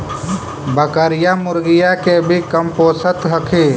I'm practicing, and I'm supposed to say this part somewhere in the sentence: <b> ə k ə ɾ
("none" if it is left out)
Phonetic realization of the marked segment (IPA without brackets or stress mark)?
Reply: b